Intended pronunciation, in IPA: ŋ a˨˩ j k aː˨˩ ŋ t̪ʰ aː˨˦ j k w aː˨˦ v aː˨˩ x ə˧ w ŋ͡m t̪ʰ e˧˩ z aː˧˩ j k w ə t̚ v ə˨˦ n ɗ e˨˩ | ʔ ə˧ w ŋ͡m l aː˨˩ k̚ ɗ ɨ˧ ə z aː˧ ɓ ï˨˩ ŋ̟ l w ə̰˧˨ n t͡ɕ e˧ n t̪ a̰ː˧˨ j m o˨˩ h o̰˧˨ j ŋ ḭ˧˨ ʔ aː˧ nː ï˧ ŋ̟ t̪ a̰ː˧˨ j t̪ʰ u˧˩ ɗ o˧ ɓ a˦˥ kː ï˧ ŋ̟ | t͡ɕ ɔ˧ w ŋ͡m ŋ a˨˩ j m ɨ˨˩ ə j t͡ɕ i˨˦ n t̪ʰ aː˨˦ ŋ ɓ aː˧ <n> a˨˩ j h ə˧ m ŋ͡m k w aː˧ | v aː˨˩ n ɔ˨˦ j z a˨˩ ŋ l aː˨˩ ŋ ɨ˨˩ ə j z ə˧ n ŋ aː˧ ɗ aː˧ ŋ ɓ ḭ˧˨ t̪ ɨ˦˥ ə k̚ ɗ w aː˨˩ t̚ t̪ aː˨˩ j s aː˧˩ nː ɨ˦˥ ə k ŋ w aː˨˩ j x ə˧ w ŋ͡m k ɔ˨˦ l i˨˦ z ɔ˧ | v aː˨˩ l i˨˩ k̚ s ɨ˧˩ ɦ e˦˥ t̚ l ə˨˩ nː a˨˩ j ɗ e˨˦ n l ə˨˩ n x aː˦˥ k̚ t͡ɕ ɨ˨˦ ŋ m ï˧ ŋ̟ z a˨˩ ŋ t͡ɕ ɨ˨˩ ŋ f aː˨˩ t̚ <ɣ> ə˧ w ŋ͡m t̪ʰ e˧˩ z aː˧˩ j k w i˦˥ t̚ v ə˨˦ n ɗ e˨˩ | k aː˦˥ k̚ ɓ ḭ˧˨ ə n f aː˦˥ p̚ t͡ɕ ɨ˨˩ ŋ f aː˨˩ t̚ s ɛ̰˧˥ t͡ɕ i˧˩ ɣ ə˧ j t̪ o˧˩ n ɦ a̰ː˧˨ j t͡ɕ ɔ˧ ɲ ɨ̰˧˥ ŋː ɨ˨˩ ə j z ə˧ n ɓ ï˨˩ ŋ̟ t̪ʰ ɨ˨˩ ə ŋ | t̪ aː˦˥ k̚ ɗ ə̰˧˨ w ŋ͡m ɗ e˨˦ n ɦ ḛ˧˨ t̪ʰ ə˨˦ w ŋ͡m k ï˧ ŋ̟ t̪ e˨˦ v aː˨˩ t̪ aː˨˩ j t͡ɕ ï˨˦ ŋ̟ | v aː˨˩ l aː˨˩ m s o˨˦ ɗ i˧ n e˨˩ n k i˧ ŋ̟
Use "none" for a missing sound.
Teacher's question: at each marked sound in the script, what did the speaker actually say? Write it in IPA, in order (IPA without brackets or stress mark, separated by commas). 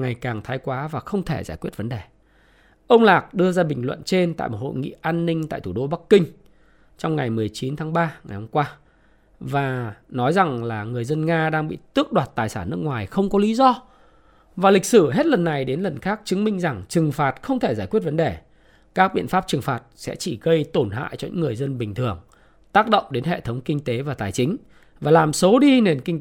ŋ, x